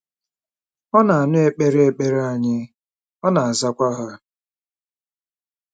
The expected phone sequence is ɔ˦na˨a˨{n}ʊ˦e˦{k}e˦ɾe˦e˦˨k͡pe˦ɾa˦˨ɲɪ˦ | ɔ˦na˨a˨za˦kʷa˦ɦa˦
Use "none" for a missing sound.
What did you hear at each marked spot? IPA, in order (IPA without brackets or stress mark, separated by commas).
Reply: n, k͡p